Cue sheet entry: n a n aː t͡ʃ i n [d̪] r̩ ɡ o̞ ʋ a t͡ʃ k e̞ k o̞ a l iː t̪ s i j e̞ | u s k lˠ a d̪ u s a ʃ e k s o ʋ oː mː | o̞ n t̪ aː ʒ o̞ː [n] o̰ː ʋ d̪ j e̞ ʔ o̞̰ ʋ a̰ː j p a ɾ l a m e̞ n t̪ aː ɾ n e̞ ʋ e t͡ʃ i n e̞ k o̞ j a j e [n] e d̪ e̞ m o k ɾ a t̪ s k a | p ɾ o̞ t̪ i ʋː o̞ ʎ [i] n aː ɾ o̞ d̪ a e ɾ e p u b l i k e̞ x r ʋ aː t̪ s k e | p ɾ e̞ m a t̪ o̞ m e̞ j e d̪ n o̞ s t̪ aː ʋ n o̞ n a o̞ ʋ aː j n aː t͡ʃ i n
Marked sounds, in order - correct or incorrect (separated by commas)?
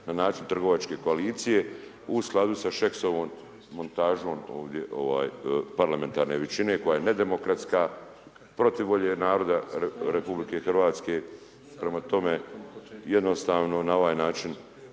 incorrect, incorrect, correct, incorrect